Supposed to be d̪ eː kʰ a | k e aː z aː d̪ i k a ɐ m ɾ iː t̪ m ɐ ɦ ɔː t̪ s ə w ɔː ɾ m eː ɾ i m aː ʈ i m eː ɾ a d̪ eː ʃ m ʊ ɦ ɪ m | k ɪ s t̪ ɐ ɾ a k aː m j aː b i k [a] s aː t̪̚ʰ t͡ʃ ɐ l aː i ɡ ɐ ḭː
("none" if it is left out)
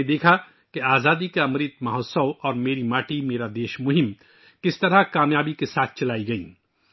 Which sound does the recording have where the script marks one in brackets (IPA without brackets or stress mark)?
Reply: e